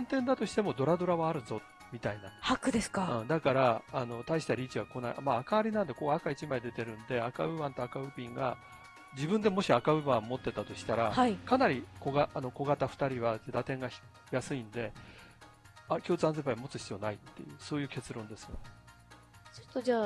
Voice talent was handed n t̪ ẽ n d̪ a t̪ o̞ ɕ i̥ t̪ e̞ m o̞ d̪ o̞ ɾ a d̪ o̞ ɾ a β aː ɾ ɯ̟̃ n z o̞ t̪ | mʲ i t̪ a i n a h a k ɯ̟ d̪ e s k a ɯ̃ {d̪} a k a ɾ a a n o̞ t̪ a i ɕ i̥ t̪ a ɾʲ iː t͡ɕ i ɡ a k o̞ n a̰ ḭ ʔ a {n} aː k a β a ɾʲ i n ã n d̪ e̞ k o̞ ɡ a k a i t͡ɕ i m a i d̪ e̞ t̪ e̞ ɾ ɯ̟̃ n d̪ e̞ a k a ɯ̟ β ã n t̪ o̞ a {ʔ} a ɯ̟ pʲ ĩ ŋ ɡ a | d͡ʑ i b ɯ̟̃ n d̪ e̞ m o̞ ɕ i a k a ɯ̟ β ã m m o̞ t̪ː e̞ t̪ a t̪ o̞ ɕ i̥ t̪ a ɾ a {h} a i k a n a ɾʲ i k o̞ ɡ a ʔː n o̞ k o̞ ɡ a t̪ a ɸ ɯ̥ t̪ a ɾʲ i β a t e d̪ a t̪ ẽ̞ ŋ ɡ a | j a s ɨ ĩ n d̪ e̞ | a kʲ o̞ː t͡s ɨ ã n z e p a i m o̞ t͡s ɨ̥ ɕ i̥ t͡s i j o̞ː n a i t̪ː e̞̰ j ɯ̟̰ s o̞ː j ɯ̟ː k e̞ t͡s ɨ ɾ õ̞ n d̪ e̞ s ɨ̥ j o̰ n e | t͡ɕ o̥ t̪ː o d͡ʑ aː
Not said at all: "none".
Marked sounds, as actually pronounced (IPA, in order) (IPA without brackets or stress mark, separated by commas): d̪, m, k, h